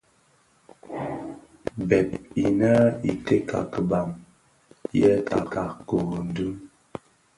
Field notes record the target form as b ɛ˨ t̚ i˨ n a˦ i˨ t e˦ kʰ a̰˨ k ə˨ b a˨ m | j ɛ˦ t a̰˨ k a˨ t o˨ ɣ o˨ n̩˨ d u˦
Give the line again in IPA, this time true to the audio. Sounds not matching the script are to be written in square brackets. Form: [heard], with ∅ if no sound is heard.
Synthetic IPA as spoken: b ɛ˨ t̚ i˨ n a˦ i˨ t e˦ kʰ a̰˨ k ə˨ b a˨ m | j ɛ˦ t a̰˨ k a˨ [k] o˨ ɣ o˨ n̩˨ d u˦